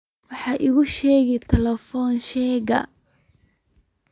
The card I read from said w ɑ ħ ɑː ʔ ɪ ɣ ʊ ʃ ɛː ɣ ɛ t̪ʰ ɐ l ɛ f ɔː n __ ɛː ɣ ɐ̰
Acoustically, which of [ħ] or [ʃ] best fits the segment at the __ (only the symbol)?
ʃ